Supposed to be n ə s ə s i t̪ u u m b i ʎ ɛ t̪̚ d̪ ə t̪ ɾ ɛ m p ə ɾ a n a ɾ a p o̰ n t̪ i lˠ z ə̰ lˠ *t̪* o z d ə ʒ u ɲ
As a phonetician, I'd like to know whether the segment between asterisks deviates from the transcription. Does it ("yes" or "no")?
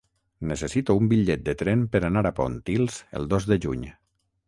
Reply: yes